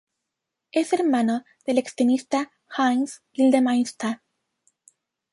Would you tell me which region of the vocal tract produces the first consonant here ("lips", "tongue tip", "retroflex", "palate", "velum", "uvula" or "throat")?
tongue tip